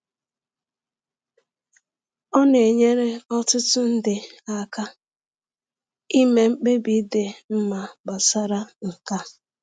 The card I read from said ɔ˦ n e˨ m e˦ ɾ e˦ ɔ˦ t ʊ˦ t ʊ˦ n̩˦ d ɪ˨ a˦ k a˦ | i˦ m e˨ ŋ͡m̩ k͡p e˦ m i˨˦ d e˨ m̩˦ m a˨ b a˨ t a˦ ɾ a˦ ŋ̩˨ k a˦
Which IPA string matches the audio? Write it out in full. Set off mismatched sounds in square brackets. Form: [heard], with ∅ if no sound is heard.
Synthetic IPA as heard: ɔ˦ n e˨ [ɲ] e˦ ɾ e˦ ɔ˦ t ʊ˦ t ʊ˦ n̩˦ d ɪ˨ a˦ k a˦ | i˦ m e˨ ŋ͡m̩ k͡p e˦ [b] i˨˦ d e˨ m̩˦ m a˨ b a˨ [s] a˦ ɾ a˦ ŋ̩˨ k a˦